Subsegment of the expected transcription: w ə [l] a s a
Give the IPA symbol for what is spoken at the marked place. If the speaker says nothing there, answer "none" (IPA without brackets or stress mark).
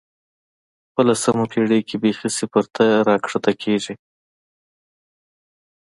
l